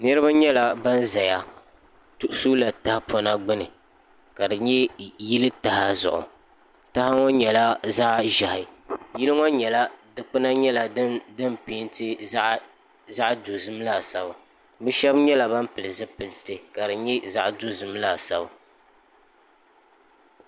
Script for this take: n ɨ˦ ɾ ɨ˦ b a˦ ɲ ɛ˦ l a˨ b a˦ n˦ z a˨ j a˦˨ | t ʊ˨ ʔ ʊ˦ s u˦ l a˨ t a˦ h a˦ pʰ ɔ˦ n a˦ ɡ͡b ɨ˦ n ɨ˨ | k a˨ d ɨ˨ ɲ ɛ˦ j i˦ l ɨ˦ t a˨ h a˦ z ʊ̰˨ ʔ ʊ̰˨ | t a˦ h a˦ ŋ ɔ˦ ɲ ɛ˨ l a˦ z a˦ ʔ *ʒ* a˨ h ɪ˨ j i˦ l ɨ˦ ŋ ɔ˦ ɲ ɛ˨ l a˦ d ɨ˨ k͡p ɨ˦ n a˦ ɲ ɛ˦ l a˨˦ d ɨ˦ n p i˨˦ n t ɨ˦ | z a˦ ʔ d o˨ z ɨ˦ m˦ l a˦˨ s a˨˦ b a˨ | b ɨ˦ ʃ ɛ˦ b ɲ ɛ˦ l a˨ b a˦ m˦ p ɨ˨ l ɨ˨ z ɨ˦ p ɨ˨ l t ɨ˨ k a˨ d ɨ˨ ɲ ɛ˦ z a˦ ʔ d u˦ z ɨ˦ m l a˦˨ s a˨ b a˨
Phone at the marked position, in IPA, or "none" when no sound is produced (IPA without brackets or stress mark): ʒ